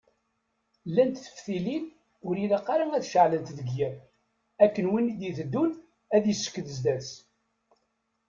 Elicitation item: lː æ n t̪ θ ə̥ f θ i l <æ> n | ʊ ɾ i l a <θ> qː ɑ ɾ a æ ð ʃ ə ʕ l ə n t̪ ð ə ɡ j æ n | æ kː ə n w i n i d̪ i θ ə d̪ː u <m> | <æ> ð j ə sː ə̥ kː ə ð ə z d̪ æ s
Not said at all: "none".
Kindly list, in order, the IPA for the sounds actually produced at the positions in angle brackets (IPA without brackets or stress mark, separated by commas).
i, none, n, æ